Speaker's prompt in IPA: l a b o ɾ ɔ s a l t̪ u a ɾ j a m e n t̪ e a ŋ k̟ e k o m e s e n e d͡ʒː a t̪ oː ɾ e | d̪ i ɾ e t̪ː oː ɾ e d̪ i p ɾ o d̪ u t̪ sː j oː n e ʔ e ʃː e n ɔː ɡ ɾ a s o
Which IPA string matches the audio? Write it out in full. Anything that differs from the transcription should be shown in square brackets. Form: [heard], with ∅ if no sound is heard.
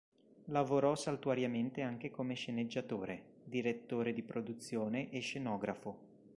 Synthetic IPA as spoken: l a [v] o ɾ ɔ s a l t̪ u a ɾ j a m e n t̪ e a ŋ k̟ e k o m e [ʃ] e n e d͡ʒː a t̪ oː ɾ e | d̪ i ɾ e t̪ː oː ɾ e d̪ i p ɾ o d̪ u t̪ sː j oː n e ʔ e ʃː e n ɔː ɡ ɾ a [f] o